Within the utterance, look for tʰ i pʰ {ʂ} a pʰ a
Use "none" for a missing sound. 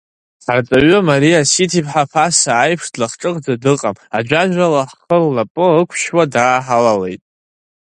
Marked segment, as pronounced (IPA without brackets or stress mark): ħ